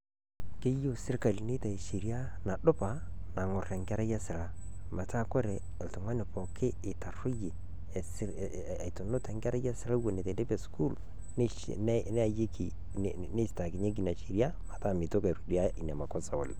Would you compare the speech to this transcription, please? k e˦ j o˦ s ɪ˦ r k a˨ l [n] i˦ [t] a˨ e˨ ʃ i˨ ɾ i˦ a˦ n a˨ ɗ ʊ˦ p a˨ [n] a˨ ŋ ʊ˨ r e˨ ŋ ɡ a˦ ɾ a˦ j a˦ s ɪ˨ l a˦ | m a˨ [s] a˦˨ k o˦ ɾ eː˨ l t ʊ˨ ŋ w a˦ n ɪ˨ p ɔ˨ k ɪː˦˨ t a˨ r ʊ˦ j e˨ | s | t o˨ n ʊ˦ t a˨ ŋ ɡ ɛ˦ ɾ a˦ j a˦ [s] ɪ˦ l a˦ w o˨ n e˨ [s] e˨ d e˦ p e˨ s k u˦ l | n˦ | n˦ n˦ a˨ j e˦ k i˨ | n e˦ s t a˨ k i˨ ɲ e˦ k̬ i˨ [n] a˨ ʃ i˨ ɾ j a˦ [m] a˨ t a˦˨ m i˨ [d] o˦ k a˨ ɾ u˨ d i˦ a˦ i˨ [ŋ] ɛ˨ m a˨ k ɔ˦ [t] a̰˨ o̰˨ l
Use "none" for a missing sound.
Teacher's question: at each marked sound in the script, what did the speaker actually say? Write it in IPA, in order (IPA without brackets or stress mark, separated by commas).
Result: n, t, n, t, s, t, n, m, t, n, s